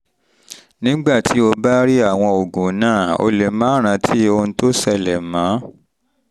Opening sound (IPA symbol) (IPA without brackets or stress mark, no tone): n